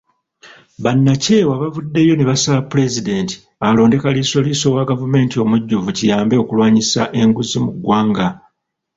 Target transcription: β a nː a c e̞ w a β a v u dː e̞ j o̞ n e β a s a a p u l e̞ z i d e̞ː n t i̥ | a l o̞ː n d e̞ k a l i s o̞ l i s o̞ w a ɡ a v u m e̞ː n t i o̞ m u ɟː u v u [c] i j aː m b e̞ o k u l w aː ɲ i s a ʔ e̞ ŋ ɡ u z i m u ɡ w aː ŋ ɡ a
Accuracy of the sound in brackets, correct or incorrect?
correct